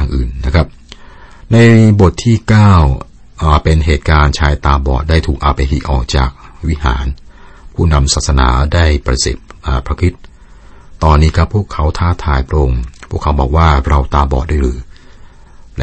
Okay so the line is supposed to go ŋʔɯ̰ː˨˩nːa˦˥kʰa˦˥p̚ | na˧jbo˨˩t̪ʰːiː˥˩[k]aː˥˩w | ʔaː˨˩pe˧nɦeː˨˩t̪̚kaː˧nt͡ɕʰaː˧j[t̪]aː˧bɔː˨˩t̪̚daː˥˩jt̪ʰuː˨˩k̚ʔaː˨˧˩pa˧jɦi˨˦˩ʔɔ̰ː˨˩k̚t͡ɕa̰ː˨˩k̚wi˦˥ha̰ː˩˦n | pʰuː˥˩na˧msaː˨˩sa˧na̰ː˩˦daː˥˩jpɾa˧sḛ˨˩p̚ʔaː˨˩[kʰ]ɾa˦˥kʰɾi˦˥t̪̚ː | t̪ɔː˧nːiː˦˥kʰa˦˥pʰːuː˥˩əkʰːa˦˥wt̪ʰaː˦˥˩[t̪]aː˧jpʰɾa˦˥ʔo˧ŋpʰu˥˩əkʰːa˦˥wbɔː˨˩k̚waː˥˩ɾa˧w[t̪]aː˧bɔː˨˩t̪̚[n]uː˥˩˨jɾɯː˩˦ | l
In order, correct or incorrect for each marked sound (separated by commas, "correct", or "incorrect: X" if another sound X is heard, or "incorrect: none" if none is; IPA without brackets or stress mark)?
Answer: correct, correct, incorrect: pʰ, incorrect: t̪ʰ, correct, incorrect: d